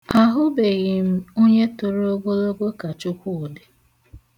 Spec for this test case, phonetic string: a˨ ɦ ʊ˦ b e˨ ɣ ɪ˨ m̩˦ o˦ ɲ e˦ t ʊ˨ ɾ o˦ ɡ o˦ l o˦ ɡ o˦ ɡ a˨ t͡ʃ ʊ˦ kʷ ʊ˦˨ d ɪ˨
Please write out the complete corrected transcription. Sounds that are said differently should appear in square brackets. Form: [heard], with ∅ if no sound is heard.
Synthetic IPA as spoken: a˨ ɦ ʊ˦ b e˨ ɣ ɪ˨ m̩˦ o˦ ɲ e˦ t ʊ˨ ɾ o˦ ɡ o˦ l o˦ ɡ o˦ [k] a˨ t͡ʃ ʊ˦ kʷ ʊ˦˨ d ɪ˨